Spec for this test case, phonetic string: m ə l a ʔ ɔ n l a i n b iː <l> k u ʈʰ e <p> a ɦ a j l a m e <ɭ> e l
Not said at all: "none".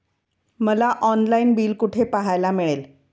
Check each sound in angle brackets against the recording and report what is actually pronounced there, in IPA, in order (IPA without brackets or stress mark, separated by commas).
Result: l, p, ɭ